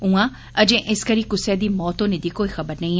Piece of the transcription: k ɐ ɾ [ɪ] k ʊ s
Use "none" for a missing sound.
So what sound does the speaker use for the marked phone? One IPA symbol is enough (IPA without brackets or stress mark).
i